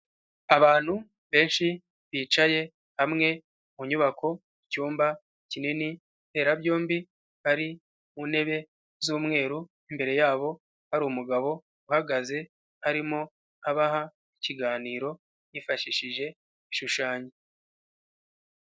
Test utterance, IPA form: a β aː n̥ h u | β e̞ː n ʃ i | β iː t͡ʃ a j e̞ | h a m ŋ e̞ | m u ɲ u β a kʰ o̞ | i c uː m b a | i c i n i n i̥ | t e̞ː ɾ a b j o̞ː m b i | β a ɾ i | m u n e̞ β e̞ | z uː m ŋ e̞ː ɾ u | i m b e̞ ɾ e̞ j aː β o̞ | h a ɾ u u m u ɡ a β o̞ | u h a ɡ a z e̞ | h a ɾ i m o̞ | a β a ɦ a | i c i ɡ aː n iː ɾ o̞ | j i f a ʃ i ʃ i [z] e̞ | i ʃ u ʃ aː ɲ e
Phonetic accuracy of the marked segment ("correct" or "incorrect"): incorrect